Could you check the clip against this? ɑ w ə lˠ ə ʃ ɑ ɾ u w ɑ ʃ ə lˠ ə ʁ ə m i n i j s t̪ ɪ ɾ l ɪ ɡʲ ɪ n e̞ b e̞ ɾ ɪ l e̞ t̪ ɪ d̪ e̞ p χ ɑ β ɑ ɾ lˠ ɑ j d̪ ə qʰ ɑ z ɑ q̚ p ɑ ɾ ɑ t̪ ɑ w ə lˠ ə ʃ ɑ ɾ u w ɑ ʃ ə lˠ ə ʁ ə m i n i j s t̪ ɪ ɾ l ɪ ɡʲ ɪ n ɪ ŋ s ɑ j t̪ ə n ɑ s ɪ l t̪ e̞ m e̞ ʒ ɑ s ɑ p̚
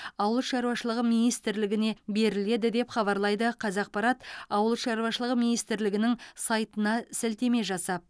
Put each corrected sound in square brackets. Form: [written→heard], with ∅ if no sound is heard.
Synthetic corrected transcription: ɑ w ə lˠ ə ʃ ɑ ɾ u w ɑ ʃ ə lˠ ə ʁ ə m i n i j s t̪ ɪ ɾ l ɪ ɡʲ ɪ n e̞ b e̞ ɾ ɪ l e̞ [t̪→d̪] ɪ d̪ e̞ p χ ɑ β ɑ ɾ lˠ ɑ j d̪ ə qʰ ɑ z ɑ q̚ p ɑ ɾ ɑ t̪ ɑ w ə lˠ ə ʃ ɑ ɾ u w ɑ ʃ ə lˠ ə ʁ ə m i n i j s t̪ ɪ ɾ l ɪ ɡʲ ɪ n ɪ ŋ s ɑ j t̪ ə n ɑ s ɪ l t̪ e̞ m e̞ ʒ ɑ s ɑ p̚